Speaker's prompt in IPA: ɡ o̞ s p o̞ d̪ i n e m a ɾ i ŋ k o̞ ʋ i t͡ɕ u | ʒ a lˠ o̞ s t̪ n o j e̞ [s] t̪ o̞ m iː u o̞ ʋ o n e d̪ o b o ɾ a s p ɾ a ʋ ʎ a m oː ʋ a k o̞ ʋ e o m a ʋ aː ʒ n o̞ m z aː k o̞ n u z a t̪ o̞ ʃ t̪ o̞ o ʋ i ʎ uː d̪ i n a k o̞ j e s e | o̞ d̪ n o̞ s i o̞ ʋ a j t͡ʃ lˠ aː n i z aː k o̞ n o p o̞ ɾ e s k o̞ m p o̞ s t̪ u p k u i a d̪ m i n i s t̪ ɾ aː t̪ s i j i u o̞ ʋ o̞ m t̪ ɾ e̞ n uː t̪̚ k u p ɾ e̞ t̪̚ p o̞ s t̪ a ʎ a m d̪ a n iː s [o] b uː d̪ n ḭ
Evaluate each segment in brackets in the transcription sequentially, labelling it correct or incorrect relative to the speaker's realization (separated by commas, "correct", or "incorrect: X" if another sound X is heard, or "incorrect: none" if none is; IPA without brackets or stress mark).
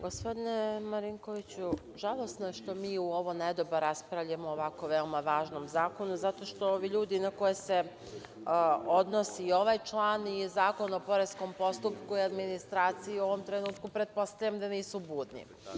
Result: incorrect: ʃ, incorrect: u